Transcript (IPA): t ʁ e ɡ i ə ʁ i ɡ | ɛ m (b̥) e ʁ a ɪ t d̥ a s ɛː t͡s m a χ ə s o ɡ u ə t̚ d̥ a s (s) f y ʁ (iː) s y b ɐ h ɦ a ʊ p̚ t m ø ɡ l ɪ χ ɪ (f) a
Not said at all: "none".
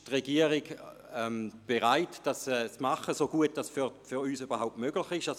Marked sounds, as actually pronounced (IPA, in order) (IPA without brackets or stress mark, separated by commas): b̥, f, yː, ʃ